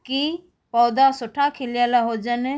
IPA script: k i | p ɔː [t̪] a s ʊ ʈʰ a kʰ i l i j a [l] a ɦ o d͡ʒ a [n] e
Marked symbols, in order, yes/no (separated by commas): no, yes, yes